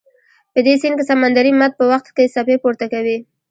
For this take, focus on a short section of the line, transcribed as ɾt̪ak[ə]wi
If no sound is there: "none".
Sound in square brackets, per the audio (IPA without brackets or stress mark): a